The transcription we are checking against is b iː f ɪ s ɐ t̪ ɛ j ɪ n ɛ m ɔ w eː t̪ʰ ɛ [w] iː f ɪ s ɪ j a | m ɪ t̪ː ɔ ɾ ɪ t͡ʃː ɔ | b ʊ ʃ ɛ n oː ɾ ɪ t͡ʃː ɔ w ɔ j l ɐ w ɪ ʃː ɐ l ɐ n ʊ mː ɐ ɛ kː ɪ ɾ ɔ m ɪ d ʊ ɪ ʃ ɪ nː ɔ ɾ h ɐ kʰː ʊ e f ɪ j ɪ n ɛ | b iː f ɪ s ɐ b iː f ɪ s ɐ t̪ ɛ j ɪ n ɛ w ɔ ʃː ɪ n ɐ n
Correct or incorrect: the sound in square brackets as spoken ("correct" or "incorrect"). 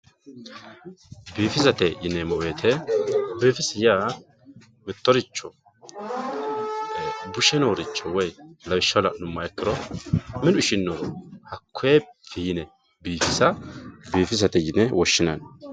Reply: incorrect